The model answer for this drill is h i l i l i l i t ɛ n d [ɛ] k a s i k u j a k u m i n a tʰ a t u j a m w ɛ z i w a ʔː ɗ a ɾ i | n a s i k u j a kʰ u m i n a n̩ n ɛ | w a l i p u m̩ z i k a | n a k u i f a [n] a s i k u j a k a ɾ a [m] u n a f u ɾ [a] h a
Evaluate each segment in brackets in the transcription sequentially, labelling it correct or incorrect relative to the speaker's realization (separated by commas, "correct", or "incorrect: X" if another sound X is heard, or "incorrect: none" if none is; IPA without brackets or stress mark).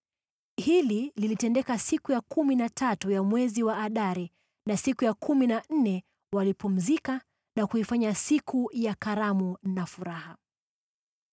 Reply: correct, incorrect: ɲ, correct, correct